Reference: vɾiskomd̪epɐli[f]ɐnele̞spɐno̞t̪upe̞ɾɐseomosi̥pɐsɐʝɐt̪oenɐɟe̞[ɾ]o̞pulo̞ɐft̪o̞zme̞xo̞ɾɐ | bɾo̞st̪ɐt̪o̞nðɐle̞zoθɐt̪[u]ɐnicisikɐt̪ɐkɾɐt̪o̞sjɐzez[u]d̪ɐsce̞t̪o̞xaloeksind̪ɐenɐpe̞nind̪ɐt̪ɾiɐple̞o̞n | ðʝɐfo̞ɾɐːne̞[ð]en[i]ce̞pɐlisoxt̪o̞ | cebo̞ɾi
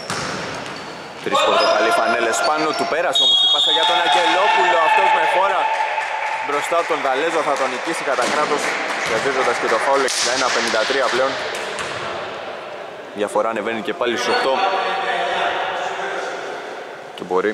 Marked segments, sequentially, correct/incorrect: correct, incorrect: l, incorrect: o, incorrect: o, incorrect: v, correct

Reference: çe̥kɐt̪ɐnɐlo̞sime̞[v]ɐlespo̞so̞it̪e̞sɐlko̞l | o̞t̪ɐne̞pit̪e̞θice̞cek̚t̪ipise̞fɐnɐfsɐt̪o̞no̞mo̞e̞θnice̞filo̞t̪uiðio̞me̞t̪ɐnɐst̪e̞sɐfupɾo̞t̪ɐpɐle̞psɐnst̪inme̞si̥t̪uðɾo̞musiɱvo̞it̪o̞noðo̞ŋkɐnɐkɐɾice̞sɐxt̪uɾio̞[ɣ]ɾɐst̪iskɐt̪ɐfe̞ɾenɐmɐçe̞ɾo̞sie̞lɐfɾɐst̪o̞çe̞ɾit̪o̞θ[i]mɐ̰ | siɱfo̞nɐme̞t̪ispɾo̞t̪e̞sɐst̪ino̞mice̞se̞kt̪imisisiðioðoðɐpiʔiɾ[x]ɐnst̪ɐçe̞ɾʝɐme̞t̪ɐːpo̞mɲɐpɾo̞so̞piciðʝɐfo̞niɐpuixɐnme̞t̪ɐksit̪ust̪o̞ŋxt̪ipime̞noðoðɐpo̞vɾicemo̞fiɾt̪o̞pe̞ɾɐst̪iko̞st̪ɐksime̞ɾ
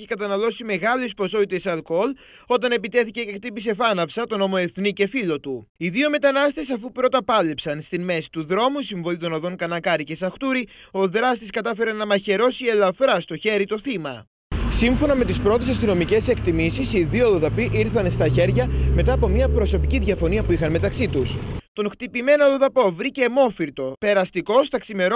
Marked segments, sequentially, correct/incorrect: incorrect: ɣ, incorrect: ð, correct, incorrect: θ

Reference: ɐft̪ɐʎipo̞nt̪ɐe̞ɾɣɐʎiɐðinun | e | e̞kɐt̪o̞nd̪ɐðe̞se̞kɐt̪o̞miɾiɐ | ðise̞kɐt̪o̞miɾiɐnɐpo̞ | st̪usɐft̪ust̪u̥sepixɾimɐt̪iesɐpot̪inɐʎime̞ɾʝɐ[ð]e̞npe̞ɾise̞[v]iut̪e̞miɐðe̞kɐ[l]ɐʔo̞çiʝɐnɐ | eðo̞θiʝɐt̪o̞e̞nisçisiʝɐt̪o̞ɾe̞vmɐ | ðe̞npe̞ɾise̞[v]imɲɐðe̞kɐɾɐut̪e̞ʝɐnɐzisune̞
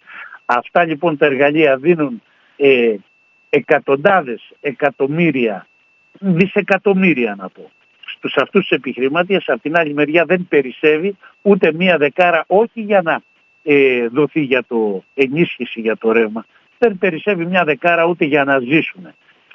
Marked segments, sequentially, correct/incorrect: correct, correct, incorrect: ɾ, correct

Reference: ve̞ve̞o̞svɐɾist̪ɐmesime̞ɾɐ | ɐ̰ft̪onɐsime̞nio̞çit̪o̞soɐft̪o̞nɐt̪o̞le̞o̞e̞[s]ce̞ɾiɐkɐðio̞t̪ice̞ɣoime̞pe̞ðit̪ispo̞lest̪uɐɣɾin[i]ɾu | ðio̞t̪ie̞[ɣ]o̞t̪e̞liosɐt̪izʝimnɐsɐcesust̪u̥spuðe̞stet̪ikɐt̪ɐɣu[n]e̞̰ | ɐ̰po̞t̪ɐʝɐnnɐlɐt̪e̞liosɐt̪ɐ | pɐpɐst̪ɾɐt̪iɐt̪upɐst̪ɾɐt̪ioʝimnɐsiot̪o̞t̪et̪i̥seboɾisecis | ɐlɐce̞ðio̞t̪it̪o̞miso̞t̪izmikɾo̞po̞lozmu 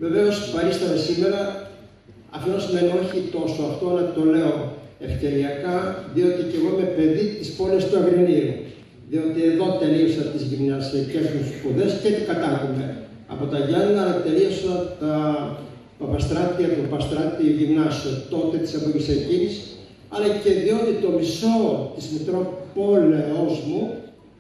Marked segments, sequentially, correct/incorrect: incorrect: f, correct, incorrect: ð, incorrect: m

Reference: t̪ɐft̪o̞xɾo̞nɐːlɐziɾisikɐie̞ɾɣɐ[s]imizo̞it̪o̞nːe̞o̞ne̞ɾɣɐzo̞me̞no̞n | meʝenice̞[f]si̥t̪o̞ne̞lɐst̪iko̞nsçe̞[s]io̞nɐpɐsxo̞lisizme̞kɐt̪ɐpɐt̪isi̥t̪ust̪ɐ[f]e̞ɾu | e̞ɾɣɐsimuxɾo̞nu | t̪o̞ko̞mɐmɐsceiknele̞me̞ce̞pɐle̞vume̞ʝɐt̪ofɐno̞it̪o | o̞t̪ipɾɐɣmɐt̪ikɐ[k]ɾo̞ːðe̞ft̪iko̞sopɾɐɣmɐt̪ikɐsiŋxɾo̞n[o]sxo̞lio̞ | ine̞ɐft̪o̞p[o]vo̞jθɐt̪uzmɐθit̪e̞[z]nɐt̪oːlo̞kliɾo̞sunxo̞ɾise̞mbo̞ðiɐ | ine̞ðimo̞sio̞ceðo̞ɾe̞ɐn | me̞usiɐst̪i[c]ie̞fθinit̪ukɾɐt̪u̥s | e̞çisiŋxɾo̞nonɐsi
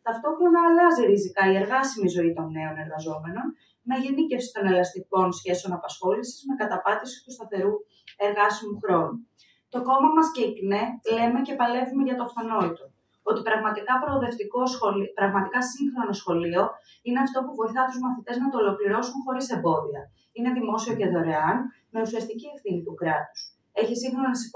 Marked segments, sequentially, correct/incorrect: correct, correct, correct, incorrect: θ, incorrect: p, correct, incorrect: u, correct, correct

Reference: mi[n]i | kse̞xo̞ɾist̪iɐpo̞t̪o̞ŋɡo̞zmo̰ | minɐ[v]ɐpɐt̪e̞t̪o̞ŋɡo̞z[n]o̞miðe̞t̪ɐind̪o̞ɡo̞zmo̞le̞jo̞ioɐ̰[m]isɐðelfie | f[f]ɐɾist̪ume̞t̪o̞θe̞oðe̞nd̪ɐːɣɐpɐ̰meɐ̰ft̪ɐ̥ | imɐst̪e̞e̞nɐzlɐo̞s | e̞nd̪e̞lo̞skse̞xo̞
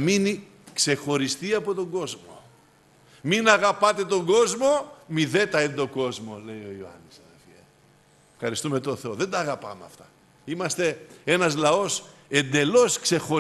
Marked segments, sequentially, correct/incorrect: correct, incorrect: ɣ, incorrect: m, incorrect: n, incorrect: x

